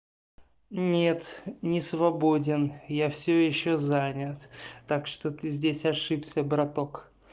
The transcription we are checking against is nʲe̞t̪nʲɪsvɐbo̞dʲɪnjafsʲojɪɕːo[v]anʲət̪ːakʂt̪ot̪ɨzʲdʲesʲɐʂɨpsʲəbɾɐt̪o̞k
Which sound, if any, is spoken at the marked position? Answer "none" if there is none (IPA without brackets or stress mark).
z